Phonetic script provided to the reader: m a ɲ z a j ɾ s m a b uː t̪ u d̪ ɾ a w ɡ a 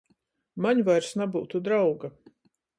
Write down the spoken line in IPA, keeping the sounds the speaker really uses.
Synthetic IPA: m a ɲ v a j ɾ s n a b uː t̪ u d̪ ɾ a w ɡ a